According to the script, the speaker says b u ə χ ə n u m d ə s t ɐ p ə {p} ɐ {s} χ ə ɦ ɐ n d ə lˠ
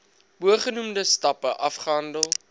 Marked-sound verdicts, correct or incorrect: incorrect: ʔ, incorrect: f

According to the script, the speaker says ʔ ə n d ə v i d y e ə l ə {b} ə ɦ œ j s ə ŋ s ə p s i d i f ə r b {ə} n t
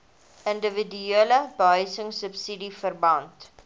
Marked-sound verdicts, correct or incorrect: correct, incorrect: ɐ

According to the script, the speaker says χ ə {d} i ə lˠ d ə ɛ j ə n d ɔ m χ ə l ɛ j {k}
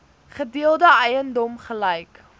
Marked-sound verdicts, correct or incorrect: correct, correct

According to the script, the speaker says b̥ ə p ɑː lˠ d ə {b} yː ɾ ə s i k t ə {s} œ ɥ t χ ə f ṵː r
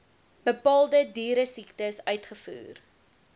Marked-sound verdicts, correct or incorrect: incorrect: d, correct

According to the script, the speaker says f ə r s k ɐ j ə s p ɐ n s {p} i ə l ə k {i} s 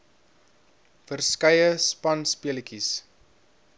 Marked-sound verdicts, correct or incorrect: correct, correct

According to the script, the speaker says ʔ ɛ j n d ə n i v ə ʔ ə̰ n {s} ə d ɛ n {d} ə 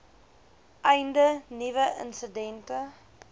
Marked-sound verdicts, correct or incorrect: correct, incorrect: t

